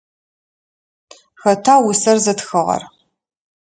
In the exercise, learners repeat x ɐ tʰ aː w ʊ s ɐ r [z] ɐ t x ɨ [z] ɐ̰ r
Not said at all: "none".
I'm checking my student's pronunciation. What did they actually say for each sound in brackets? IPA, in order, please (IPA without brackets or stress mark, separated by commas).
z, ʁ